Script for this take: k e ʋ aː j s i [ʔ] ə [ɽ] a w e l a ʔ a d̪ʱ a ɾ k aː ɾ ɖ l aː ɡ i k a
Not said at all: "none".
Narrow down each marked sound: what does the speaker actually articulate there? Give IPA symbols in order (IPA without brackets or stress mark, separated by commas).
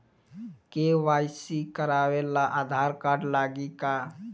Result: k, ɾ